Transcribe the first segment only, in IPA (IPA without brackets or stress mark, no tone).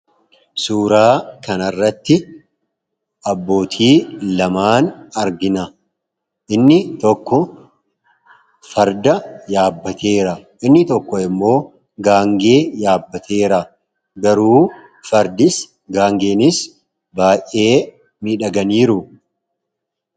s